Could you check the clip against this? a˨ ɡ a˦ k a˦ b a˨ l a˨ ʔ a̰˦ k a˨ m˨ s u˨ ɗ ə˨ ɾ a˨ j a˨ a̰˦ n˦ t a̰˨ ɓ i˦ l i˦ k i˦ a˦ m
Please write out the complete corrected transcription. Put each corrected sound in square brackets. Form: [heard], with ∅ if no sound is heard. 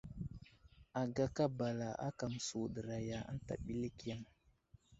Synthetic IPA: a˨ ɡ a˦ k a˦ b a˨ l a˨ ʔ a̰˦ k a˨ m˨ s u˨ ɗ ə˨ ɾ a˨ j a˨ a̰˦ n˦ t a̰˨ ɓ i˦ l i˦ k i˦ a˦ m